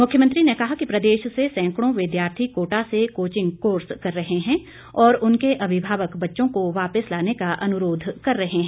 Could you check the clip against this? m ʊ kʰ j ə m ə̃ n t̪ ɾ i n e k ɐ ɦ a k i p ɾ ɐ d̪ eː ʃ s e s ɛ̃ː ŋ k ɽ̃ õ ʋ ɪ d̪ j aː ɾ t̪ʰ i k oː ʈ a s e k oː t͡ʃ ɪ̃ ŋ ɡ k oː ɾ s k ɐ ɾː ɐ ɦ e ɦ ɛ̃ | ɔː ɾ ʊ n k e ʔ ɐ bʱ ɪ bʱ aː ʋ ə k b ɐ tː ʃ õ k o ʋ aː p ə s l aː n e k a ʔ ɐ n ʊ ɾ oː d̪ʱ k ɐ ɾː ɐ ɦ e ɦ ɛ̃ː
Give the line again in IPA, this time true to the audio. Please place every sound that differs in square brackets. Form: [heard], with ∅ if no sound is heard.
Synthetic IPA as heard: m ʊ kʰ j ə m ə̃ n t̪ ɾ i n e k ɐ ɦ a k i p ɾ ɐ d̪ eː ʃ s e s ɛ̃ː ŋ k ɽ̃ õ ʋ ɪ d̪ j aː ɾ t̪ʰ i k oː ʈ a s e k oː t͡ʃ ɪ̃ ŋ ɡ k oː ɾ s k ɐ ɾː ɐ ɦ e ɦ ɛ̃ | ɔː ɾ ʊ n k e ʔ ɐ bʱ ɪ bʱ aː ʋ ə k b ɐ tː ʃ õ k o ʋ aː p ə s l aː n e k a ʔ ɐ n ʊ ɾ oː d̪ʱ k ɐ ɾː ɐ ɦ e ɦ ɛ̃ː

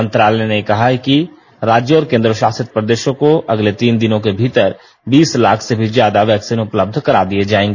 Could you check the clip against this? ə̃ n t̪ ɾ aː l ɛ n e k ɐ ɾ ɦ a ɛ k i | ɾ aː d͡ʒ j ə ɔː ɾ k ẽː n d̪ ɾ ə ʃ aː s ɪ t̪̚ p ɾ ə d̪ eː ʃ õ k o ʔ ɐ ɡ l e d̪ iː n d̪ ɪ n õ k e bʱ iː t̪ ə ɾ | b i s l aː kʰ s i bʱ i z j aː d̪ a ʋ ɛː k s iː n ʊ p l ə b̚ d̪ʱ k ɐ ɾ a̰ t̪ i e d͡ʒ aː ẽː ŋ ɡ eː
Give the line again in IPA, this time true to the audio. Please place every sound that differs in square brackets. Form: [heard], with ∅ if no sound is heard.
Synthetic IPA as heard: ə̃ n t̪ ɾ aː l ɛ n e k ɐ [∅] ɦ a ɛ k i | ɾ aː d͡ʒ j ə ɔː ɾ k ẽː n d̪ ɾ ə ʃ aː s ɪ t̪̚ p ɾ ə d̪ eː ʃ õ k o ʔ ɐ ɡ l e [t̪] iː n d̪ ɪ n õ k e bʱ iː t̪ ə ɾ | b [iː] s l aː kʰ s [e] bʱ i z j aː d̪ a ʋ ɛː k s iː n ʊ p l ə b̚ d̪ʱ k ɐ ɾ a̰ [d̪] i e d͡ʒ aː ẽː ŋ ɡ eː

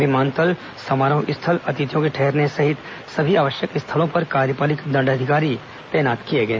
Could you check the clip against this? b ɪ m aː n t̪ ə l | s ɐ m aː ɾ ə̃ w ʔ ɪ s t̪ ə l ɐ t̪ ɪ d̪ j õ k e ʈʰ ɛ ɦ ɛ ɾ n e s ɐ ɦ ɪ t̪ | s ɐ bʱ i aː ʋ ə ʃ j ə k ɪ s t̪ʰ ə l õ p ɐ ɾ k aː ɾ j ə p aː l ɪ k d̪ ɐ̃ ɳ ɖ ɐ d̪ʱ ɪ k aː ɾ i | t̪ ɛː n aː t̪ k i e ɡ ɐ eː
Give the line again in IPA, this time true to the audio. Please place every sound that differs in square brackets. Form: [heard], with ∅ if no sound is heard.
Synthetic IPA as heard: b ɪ m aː n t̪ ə l | s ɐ m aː ɾ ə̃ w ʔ ɪ s [t̪ʰ] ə l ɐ t̪ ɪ [t̪] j õ k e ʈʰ ɛ ɦ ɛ ɾ n e s ɐ ɦ ɪ t̪ | s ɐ bʱ i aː ʋ ə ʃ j ə k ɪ s t̪ʰ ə l õ p ɐ ɾ k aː ɾ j ə p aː l ɪ k d̪ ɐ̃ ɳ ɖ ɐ d̪ʱ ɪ k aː ɾ i | t̪ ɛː n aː t̪ k i e ɡ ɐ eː

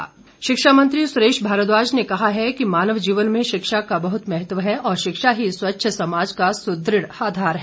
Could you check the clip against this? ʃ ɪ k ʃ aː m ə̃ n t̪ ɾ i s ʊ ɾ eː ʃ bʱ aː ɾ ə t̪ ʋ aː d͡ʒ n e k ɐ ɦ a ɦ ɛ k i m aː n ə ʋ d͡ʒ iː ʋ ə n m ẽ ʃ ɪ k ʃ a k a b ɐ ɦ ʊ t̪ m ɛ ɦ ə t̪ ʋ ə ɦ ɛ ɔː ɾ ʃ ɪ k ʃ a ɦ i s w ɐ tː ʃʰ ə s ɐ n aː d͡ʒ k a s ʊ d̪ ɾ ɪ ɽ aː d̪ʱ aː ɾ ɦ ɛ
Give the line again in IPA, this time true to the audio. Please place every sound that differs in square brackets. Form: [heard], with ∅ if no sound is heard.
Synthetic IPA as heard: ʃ ɪ k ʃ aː m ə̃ n t̪ ɾ i s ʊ ɾ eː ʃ bʱ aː ɾ ə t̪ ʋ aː d͡ʒ n e k ɐ ɦ a ɦ ɛ k i m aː n ə ʋ d͡ʒ iː ʋ ə n m ẽ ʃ ɪ k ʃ a k a b ɐ ɦ ʊ t̪ m ɛ ɦ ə t̪ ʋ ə ɦ ɛ ɔː ɾ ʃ ɪ k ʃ a ɦ i s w ɐ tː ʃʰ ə s ɐ [m] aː d͡ʒ k a s ʊ d̪ ɾ ɪ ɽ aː d̪ʱ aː ɾ ɦ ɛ

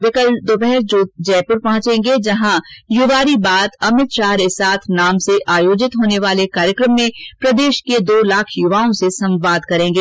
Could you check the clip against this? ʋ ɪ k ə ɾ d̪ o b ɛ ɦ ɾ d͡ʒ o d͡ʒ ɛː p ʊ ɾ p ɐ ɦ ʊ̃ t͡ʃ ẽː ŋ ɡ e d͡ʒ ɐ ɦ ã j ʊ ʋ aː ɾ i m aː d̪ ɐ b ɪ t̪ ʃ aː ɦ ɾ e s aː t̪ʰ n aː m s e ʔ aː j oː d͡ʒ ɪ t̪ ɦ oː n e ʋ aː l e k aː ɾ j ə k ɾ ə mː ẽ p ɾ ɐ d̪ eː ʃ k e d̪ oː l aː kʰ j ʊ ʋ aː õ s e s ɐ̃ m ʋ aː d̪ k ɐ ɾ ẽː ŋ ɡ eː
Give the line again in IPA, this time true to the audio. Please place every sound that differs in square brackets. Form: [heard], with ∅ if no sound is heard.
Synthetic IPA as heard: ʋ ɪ k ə [l] d̪ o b ɛ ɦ ɾ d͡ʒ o d͡ʒ ɛː p ʊ ɾ p ɐ ɦ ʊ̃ t͡ʃ ẽː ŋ ɡ e d͡ʒ ɐ ɦ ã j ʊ ʋ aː ɾ i [b] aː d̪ ɐ [m] ɪ t̪ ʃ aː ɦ ɾ e s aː t̪ʰ n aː m s e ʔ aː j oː d͡ʒ ɪ t̪ ɦ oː n e ʋ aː l e k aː ɾ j ə k ɾ ə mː ẽ p ɾ ɐ d̪ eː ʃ k e d̪ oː l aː kʰ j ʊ ʋ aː õ s e s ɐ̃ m ʋ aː d̪ k ɐ ɾ ẽː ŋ ɡ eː

